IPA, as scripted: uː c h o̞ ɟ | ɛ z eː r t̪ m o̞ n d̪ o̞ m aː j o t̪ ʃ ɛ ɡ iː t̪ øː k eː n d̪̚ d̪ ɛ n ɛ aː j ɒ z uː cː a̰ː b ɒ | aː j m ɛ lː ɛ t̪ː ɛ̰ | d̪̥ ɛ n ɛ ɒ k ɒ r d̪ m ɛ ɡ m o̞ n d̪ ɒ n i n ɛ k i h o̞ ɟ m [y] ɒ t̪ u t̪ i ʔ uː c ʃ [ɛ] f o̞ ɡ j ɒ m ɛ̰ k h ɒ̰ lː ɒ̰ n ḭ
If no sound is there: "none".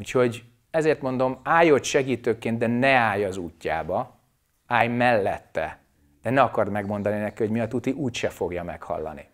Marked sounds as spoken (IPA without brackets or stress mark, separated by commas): i, ɛ